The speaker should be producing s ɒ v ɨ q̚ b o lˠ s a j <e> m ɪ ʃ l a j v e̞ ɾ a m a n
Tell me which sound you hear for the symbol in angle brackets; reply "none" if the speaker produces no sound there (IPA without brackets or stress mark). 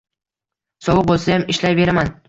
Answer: a